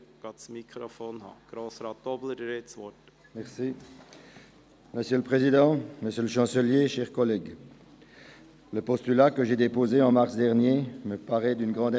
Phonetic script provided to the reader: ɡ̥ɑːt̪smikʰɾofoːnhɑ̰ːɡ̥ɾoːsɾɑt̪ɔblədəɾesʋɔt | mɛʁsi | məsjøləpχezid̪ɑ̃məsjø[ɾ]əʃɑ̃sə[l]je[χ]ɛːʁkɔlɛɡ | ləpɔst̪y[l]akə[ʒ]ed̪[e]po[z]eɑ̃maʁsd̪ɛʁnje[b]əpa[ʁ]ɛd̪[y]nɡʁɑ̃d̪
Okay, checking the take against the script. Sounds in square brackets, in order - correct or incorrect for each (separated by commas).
incorrect, correct, incorrect, correct, correct, correct, correct, incorrect, correct, correct